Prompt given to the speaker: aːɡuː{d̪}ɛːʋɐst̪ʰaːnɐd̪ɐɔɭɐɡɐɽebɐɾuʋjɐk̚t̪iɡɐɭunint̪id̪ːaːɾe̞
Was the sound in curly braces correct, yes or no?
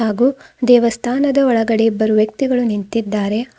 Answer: yes